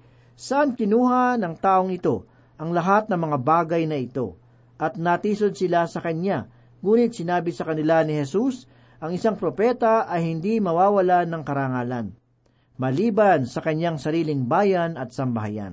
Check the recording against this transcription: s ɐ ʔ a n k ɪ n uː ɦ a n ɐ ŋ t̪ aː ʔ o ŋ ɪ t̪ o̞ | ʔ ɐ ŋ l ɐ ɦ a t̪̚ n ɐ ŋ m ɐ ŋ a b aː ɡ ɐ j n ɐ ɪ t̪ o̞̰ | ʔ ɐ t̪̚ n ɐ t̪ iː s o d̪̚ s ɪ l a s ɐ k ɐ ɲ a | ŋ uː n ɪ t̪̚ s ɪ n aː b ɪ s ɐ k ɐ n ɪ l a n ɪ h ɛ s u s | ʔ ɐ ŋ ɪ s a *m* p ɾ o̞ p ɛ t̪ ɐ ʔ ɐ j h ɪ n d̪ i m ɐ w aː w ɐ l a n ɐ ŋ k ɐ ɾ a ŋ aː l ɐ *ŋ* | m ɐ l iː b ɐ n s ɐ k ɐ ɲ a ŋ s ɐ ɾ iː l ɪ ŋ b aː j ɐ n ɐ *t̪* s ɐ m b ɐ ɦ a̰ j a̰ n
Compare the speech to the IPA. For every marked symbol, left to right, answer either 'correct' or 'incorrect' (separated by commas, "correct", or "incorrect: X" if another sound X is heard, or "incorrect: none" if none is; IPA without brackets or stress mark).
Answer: incorrect: ŋ, incorrect: n, correct